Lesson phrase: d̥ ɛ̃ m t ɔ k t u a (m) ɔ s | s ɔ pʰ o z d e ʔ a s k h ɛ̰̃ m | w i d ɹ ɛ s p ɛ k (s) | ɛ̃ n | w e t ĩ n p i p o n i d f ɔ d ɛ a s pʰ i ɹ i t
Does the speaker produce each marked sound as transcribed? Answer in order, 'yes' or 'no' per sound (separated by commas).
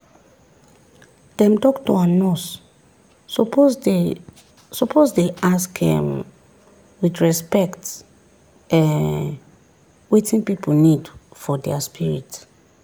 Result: no, no